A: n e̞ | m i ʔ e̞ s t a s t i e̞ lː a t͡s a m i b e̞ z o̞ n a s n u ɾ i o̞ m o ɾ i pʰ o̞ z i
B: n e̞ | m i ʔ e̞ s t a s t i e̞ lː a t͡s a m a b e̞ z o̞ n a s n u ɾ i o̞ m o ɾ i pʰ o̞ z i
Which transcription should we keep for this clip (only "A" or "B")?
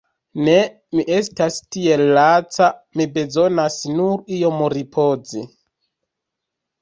A